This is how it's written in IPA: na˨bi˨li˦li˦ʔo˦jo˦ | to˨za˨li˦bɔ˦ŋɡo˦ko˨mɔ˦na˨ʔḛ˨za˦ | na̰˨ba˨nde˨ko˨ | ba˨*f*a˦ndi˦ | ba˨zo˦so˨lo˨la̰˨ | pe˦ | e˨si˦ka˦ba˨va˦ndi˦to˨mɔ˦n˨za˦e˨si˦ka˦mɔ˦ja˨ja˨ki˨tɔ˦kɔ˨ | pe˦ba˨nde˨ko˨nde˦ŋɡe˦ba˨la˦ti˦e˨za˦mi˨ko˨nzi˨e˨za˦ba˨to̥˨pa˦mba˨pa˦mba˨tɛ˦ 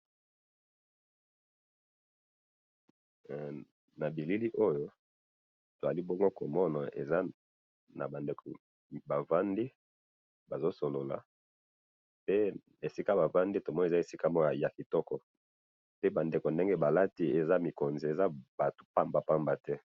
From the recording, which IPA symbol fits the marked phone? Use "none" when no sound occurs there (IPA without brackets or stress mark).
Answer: v